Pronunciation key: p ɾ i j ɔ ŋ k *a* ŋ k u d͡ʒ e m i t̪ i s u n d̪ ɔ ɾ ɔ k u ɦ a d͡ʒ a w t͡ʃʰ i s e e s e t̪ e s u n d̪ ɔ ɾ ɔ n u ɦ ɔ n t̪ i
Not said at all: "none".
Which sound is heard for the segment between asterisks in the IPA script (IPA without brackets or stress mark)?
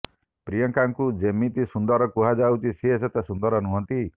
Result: a